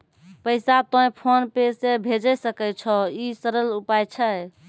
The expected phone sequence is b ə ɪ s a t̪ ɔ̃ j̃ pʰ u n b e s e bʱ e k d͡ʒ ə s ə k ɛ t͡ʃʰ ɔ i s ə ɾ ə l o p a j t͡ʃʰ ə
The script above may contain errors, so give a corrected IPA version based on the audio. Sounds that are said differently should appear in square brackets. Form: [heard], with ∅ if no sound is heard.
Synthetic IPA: [p] ə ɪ s a t̪ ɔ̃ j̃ pʰ [o] n [p] e s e bʱ e [∅] d͡ʒ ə s ə k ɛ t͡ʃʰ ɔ i s ə ɾ ə l [u] p a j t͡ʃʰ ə